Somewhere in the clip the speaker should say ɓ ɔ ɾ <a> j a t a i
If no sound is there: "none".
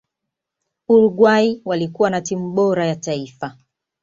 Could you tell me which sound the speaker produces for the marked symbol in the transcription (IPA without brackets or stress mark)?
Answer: a